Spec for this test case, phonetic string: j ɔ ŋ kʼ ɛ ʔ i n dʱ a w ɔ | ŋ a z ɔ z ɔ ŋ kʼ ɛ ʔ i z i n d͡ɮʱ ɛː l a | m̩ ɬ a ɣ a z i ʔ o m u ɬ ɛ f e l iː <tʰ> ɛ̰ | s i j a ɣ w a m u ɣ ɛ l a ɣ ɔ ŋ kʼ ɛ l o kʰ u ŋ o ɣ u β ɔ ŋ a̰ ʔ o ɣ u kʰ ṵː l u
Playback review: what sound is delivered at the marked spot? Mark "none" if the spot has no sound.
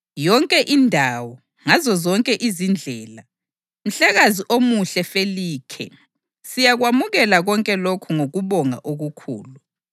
kʰ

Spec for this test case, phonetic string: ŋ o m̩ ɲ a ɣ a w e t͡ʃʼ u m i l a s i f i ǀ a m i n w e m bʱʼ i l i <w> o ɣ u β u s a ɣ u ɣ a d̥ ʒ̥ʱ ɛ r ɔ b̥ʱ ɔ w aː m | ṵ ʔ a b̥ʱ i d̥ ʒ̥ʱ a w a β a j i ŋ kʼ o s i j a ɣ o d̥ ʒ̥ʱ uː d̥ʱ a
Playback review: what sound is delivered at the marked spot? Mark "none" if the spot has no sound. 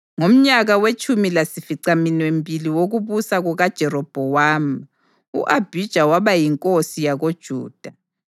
w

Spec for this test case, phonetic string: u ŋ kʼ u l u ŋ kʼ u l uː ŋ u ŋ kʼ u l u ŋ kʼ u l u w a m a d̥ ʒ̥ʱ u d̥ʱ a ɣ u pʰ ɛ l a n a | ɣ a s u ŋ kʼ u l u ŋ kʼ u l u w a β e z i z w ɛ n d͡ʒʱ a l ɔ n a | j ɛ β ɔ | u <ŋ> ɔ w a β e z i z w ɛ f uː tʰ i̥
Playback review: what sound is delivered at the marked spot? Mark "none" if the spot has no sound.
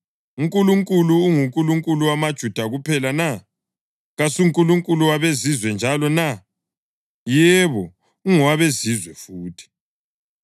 ŋ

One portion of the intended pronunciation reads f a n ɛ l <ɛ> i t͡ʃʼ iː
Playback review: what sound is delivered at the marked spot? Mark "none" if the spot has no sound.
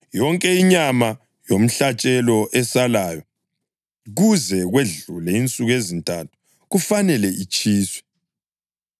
ɛ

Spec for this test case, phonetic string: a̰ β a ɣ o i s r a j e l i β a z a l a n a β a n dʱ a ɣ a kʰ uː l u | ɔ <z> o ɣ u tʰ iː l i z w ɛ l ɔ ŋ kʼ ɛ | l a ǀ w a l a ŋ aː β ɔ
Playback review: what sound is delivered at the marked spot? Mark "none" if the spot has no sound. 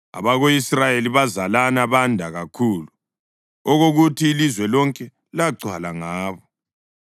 ɣ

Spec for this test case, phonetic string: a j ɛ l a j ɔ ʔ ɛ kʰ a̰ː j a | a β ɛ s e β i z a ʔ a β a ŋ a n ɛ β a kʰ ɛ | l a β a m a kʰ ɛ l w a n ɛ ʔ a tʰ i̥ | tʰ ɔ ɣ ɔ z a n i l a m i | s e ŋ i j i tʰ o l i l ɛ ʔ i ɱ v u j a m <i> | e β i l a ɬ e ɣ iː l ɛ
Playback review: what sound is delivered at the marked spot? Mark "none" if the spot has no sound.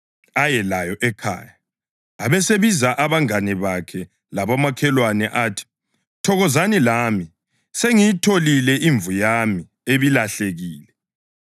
i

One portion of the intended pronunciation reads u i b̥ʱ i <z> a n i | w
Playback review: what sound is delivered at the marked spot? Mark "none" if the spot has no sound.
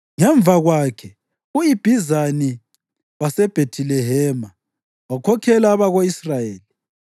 z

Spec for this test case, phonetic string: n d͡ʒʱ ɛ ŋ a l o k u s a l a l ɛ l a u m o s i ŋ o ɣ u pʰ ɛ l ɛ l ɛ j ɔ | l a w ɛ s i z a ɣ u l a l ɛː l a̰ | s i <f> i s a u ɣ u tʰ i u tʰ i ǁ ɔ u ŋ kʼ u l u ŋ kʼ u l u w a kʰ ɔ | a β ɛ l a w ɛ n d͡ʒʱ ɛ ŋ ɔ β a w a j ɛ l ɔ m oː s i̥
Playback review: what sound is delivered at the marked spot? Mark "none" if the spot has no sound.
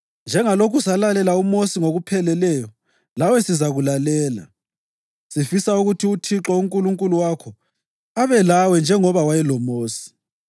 f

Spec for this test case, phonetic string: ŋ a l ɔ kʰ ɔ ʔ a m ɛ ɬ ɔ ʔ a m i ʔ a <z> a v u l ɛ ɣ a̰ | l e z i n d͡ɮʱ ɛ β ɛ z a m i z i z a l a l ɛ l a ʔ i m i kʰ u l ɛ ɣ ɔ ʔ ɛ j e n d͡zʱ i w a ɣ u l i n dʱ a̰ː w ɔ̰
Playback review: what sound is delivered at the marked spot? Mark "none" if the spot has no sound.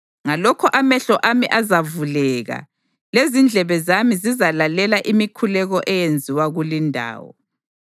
z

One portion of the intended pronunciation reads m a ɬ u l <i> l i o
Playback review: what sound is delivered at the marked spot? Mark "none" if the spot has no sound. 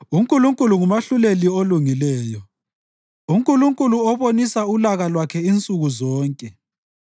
e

